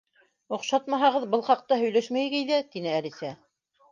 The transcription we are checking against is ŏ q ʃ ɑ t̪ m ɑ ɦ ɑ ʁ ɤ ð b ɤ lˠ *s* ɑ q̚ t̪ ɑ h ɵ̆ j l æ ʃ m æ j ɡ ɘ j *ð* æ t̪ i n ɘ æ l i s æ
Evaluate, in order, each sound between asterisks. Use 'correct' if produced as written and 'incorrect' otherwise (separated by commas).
incorrect, correct